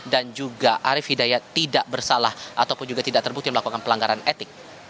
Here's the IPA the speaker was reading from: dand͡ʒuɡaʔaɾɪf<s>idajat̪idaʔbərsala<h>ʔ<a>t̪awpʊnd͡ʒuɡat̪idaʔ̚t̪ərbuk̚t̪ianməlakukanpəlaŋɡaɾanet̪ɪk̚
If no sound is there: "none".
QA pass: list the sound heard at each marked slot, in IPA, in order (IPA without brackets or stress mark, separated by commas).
h, h, a